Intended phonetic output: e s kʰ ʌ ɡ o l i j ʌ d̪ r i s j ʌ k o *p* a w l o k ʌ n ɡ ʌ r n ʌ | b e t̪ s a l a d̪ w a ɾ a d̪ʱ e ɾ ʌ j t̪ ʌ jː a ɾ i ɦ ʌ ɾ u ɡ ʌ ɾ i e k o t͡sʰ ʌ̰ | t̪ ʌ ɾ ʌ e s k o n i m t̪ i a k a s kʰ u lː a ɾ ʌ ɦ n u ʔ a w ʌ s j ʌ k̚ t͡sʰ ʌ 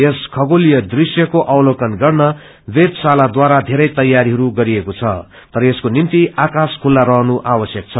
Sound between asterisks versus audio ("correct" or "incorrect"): incorrect